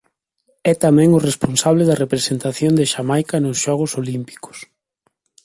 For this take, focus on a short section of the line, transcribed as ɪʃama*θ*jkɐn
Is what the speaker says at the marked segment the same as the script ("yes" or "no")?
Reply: no